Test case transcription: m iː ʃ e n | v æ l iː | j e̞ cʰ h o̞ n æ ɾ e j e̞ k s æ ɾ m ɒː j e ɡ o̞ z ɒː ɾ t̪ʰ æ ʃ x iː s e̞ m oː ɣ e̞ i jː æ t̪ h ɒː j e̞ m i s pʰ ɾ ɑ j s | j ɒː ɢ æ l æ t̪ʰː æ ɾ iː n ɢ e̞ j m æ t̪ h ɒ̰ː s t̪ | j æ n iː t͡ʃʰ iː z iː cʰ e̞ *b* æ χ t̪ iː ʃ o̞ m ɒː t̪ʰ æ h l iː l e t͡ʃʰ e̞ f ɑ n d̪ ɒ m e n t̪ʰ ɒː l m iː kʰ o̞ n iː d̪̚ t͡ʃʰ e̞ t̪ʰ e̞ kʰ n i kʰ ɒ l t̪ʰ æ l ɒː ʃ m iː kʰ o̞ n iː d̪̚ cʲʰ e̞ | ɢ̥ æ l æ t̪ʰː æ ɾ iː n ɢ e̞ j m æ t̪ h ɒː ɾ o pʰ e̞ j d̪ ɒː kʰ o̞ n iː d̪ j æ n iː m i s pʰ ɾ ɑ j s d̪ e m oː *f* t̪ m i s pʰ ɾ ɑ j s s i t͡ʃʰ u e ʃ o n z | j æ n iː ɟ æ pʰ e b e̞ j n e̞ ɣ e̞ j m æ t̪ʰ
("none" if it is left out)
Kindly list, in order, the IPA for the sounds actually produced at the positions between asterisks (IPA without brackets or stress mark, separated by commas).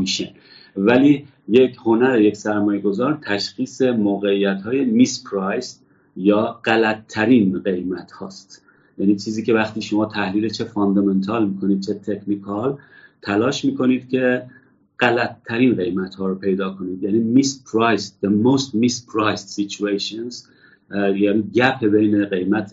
v, s